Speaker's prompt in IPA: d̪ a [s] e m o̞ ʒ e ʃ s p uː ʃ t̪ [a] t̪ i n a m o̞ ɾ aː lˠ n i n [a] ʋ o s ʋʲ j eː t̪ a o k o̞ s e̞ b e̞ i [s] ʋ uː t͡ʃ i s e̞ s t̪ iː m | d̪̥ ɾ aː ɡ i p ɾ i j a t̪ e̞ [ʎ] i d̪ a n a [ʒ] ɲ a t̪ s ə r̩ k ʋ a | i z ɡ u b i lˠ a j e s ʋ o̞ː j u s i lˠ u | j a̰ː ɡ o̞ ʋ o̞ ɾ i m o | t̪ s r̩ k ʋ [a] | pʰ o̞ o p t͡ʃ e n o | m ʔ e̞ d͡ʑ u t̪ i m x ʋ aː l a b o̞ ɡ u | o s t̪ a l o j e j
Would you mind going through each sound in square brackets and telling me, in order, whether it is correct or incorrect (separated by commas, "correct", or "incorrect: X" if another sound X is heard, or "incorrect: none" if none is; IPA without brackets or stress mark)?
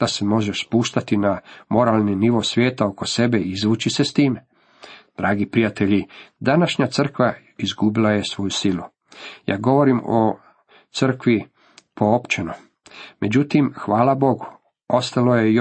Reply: correct, correct, incorrect: i, incorrect: z, correct, incorrect: ʃ, incorrect: i